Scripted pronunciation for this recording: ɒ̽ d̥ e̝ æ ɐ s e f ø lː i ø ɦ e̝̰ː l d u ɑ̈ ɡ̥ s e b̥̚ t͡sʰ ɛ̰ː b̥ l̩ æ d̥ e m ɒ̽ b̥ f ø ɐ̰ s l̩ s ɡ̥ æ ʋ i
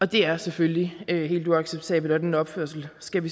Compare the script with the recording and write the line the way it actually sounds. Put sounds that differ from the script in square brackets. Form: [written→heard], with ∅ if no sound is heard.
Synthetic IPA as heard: ɒ̽ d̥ e̝ æ ɐ s e f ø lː i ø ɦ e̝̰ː l d u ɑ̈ ɡ̥ s e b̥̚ t͡sʰ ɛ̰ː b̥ l̩ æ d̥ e [m→n] ɒ̽ b̥ f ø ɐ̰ s l̩ s ɡ̥ æ ʋ i